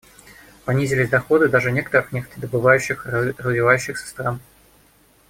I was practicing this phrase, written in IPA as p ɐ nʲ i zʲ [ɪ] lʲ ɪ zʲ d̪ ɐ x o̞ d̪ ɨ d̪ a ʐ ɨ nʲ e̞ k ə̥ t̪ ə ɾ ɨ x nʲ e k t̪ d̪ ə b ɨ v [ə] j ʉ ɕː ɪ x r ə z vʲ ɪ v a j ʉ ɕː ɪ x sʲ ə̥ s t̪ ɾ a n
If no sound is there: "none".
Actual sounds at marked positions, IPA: ɪ, a

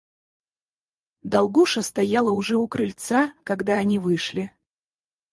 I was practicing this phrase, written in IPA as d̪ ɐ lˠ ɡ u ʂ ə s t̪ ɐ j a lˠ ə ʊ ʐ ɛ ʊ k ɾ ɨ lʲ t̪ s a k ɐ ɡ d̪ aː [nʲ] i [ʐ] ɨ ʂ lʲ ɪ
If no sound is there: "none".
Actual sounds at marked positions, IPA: nʲ, v

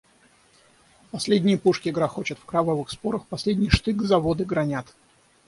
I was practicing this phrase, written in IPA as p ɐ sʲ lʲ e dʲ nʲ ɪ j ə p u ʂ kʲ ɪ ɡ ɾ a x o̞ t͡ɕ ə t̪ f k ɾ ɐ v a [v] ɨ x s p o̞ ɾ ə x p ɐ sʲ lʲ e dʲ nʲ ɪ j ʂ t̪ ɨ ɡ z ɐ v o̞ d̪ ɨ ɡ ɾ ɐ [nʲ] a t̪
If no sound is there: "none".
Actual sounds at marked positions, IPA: v, nʲ

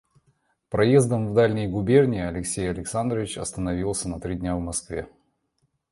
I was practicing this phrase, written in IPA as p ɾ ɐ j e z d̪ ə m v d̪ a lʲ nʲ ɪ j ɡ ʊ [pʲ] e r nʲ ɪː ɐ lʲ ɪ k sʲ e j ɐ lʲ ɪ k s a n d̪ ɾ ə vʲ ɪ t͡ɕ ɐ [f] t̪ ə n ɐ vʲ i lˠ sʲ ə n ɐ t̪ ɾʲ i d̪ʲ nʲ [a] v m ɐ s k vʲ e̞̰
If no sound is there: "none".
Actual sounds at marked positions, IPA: bʲ, s, a

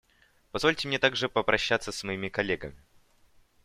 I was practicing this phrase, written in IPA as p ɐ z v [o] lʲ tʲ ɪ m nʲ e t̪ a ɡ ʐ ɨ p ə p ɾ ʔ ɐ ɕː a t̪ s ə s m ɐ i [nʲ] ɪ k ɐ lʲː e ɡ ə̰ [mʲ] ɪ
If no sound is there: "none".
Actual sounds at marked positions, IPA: o, mʲ, mʲ

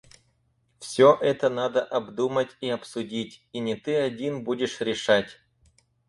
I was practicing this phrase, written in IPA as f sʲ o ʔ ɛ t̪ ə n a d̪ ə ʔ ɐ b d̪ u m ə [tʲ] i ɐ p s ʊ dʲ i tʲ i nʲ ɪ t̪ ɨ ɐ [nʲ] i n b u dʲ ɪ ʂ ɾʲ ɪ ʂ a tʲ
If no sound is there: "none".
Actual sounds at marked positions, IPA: tʲ, dʲ

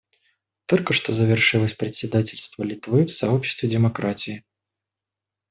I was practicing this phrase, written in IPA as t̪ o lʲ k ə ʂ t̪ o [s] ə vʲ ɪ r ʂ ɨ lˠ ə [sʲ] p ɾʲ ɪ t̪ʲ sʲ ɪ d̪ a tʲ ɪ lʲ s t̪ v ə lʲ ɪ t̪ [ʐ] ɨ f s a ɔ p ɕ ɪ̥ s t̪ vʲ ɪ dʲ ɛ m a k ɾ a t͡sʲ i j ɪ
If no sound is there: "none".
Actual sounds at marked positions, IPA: z, sʲ, v

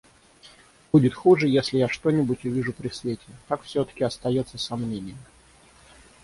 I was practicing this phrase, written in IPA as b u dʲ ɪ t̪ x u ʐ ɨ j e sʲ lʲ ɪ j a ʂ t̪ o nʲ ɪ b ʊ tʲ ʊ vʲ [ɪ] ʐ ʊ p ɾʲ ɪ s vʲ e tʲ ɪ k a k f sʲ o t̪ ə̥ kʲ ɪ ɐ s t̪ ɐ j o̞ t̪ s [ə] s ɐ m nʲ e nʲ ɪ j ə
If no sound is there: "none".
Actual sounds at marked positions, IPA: i, ə

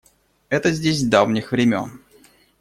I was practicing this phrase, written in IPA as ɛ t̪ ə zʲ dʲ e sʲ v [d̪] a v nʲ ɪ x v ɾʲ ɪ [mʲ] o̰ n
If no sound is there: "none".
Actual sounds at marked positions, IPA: d̪, mʲ

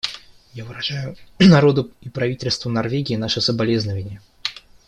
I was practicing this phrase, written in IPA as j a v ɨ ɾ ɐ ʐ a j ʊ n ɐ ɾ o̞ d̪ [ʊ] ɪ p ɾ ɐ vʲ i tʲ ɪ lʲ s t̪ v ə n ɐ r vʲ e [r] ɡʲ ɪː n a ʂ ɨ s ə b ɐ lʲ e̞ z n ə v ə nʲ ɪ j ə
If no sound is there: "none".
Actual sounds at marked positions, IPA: ʊ, none

